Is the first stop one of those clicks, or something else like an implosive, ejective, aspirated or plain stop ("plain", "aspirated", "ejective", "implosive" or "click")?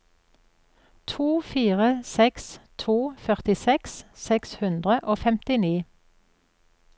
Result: aspirated